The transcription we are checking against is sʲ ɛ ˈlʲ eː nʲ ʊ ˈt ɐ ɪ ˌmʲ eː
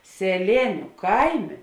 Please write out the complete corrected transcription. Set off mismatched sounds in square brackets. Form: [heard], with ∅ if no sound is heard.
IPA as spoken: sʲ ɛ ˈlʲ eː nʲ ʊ [ˈk] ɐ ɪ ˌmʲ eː